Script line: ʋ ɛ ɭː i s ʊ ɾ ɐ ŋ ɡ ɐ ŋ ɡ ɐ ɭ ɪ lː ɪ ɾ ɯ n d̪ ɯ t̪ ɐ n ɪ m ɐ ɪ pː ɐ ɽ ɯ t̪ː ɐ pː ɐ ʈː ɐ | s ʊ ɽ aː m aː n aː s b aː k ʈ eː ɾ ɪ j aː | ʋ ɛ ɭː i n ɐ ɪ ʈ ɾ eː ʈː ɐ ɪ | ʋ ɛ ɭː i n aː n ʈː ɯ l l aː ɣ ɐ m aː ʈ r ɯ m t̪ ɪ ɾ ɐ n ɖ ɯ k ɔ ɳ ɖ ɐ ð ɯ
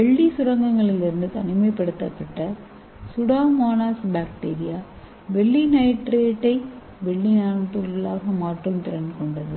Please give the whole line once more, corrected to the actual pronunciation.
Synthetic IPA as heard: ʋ ɛ ɭː i s ʊ ɾ ɐ ŋ ɡ ɐ ŋ ɡ ɐ ɭ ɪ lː ɪ ɾ ɯ n d̪ ɯ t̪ ɐ n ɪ m ɐ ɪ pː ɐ ɽ ɯ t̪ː ɐ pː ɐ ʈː ɐ | s ʊ ɽ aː m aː n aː s b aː k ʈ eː ɾ ɪ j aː | ʋ ɛ ɭː i n ɐ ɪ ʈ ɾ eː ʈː ɐ ɪ | ʋ ɛ ɭː i n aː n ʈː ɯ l l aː ɣ ɐ m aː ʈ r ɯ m t̪ ɪ ɾ ɐ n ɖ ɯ k ɔ ɳ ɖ ɐ ð ɯ